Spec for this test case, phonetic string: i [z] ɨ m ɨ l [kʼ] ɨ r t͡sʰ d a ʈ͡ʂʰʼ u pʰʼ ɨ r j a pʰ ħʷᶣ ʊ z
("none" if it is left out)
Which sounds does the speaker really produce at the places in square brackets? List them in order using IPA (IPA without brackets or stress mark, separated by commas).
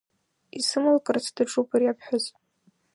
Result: s, kʼ